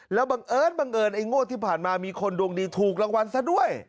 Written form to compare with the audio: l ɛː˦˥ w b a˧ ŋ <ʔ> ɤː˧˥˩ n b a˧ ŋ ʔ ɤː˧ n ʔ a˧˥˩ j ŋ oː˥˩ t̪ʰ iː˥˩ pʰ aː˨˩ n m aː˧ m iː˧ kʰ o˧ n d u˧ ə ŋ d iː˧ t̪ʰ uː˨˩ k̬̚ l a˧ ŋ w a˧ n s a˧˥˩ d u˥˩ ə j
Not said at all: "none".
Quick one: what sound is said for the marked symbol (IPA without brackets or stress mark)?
ʔ